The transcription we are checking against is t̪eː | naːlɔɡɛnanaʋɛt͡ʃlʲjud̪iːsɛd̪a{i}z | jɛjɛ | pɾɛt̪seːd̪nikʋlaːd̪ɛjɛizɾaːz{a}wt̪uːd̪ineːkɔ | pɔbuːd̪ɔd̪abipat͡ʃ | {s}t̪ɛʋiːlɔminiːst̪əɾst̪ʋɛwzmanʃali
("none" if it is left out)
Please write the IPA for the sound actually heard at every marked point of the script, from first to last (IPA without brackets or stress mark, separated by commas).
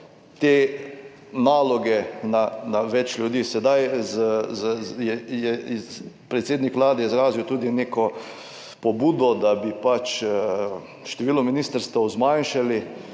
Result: j, i, ʃ